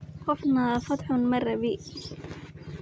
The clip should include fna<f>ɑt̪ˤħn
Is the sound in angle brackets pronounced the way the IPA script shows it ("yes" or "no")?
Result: yes